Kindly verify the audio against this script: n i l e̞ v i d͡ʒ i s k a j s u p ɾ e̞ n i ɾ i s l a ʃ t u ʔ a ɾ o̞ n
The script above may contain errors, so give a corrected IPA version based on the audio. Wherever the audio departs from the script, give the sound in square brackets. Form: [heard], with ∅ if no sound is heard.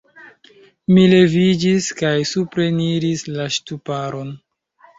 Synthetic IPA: [m] i l e̞ v i d͡ʒ i s k a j s u p ɾ e̞ n i ɾ i s l a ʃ t u [p] a ɾ o̞ n